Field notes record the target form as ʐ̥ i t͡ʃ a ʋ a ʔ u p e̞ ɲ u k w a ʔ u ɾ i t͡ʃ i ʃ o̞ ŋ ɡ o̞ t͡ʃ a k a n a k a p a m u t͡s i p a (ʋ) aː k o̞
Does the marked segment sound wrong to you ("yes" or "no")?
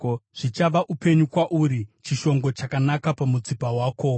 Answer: yes